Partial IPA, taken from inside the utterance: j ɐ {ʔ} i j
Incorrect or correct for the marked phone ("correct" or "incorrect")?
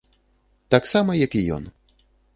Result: incorrect